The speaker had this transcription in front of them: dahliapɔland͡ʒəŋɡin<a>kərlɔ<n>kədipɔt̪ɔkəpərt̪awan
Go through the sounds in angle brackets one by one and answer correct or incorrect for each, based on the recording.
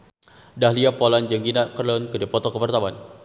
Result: correct, correct

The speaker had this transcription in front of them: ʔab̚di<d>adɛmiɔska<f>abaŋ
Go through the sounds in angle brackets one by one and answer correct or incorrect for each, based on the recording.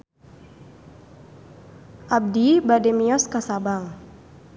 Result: incorrect, incorrect

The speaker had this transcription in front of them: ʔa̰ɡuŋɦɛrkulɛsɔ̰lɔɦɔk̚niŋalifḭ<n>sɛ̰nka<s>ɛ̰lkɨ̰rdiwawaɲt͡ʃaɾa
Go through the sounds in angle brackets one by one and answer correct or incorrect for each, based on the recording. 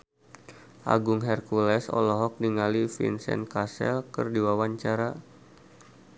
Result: correct, correct

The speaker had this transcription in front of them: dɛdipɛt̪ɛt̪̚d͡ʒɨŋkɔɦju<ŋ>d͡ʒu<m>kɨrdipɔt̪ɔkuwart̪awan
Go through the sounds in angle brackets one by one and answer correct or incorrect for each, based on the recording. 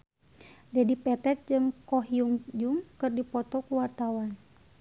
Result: correct, incorrect

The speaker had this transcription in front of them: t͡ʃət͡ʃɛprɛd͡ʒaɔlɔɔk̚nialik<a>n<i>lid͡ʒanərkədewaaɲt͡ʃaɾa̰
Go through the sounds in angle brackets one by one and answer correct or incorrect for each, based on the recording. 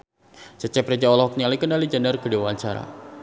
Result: incorrect, incorrect

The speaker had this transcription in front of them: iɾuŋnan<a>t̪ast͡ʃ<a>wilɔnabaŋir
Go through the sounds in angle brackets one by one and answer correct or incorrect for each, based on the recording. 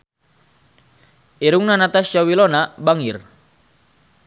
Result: correct, correct

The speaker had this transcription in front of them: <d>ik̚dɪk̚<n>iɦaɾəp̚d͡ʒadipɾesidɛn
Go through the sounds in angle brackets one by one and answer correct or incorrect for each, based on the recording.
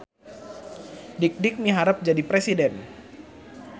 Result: correct, incorrect

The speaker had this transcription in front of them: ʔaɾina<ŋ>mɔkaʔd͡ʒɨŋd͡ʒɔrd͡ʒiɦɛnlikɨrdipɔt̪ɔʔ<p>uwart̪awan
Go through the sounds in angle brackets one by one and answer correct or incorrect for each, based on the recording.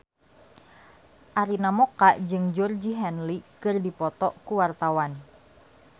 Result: incorrect, incorrect

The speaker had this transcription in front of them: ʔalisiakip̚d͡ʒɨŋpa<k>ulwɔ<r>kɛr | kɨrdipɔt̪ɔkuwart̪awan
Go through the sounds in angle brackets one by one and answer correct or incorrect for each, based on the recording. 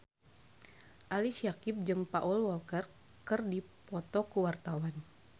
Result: incorrect, incorrect

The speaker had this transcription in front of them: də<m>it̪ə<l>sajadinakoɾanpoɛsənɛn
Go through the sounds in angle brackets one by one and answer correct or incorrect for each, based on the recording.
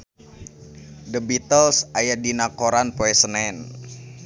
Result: incorrect, correct

